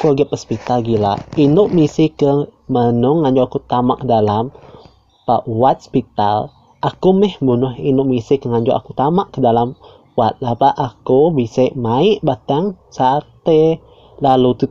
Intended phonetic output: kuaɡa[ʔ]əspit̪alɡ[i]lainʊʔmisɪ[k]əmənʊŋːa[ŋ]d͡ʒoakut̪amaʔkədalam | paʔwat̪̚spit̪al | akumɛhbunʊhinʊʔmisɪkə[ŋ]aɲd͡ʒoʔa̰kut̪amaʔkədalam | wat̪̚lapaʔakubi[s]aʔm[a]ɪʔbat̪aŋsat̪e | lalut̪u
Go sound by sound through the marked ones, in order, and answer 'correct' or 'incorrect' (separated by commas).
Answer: incorrect, correct, correct, incorrect, correct, correct, correct